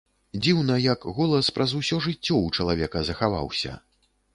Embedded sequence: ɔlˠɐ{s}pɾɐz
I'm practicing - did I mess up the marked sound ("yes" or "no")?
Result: no